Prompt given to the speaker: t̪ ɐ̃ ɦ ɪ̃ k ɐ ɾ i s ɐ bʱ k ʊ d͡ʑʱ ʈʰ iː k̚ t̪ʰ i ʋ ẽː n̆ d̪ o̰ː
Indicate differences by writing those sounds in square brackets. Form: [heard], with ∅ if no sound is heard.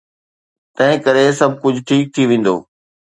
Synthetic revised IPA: t̪ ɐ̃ ɦ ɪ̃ k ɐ ɾ [e] s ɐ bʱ k ʊ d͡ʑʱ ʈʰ iː k̚ t̪ʰ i ʋ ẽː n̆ d̪ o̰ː